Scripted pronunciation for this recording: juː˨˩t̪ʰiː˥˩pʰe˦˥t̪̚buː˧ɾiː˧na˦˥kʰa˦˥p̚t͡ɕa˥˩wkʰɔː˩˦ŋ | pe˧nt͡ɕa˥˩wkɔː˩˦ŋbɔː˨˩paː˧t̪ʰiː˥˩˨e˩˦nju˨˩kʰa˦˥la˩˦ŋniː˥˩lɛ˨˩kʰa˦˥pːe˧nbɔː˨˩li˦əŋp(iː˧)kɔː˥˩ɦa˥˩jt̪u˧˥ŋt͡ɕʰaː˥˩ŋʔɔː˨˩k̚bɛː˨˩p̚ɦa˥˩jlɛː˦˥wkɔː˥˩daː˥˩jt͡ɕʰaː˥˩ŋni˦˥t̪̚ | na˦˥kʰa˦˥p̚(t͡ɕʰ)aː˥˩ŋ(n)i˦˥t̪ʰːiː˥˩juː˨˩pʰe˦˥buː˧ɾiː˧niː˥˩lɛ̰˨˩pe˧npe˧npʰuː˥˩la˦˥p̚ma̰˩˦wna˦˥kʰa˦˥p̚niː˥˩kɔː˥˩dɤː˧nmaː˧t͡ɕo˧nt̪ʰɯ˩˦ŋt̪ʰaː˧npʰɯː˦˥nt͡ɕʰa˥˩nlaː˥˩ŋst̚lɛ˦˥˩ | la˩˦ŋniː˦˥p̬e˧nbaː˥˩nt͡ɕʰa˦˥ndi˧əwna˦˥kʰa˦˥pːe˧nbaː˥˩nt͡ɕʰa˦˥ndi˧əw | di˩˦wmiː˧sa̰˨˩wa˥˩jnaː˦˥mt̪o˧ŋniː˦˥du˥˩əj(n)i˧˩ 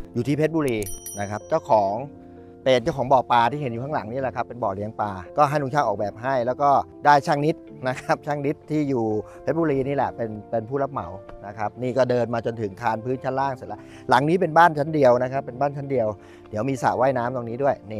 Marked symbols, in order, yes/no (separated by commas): no, yes, yes, yes